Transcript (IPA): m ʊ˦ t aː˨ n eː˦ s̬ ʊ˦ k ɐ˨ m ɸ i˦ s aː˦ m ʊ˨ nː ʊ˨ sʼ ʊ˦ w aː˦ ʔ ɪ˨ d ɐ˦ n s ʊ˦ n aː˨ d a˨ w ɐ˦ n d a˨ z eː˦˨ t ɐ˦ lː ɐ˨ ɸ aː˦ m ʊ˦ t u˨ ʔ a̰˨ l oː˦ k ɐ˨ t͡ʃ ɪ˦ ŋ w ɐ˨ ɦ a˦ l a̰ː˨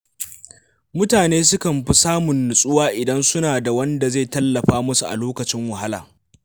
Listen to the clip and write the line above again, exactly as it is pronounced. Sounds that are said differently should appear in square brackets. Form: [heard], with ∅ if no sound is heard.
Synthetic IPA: m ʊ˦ t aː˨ n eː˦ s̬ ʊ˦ k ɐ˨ m ɸ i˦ s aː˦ m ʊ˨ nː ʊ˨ sʼ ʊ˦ w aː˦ ʔ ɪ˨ d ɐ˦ n s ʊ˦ n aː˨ d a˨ w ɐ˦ n d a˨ z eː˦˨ t ɐ˦ lː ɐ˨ ɸ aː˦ m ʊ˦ [s] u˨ ʔ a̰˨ l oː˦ k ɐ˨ t͡ʃ ɪ˦ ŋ w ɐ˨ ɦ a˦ l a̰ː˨